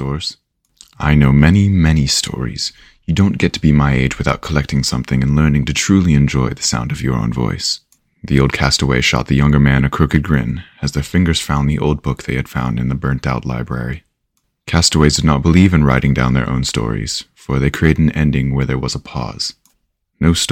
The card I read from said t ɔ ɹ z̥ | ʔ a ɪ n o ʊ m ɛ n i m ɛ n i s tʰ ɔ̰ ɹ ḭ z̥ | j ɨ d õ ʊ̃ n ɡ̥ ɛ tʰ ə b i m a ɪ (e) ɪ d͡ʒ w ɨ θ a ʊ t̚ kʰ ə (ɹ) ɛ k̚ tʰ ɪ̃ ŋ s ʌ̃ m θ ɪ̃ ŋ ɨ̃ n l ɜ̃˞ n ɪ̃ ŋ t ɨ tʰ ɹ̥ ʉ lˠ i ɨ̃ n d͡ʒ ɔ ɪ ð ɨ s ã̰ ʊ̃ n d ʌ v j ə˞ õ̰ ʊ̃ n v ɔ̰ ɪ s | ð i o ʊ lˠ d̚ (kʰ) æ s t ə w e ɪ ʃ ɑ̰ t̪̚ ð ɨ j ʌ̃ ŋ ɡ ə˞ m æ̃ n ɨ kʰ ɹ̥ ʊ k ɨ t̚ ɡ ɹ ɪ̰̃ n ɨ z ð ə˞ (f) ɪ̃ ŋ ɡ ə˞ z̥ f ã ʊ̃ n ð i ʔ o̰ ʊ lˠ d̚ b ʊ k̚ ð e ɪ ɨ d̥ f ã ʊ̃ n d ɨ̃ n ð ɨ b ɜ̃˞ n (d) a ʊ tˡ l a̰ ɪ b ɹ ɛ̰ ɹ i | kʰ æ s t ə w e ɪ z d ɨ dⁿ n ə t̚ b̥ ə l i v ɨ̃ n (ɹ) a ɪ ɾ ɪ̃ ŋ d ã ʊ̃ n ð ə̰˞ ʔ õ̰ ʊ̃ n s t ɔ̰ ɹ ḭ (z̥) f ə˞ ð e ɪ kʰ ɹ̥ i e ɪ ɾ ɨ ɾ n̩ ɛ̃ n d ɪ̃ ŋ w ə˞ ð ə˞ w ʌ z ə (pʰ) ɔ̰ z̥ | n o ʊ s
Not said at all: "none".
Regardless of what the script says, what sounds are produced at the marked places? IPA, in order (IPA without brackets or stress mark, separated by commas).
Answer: e, l, kʰ, f, t, ɹ, z̥, pʰ